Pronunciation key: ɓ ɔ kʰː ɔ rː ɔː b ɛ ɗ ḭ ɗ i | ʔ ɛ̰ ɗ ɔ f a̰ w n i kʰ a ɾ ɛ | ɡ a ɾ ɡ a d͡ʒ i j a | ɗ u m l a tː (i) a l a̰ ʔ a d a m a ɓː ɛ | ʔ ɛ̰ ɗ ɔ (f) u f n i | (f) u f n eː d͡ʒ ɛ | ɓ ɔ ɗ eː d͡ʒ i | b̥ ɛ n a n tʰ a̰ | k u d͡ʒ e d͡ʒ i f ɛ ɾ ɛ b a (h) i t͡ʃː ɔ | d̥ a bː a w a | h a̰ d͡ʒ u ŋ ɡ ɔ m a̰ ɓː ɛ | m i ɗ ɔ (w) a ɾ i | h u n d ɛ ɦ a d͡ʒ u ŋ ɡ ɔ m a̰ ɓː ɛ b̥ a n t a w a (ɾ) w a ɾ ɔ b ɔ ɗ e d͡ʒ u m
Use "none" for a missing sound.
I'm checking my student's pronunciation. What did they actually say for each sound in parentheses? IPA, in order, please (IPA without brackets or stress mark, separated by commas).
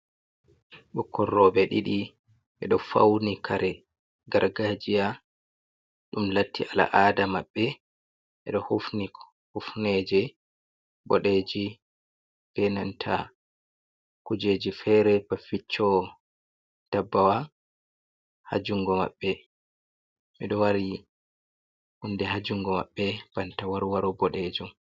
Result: i, h, h, f, w, ɾ